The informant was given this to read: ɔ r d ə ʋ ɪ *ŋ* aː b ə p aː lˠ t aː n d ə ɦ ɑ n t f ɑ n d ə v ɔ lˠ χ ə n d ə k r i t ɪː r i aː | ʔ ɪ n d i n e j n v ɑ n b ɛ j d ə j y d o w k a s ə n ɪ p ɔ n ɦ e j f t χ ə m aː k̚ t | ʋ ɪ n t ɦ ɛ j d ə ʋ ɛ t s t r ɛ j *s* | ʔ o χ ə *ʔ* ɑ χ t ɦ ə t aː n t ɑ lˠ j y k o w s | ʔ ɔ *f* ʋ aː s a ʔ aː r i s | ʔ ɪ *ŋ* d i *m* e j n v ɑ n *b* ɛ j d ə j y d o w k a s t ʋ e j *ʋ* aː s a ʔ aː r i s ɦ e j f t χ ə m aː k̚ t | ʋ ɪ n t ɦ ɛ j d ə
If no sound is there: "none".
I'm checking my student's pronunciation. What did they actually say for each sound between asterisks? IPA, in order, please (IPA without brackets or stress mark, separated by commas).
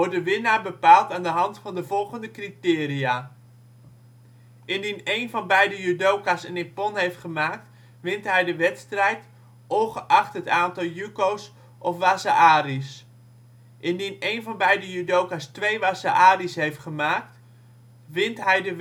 n, t, ʔ, f, n, n, b, ʋ